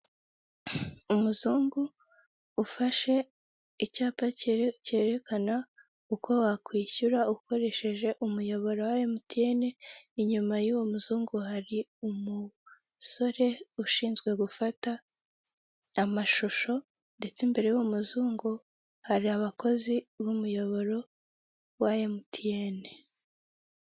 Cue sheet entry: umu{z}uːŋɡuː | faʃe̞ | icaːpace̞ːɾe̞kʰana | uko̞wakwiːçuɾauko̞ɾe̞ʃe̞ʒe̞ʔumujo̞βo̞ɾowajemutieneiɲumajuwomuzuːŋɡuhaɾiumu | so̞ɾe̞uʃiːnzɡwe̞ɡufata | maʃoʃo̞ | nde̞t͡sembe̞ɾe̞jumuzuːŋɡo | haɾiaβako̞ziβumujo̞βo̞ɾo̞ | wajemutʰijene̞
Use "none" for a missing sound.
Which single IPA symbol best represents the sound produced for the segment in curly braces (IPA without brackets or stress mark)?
z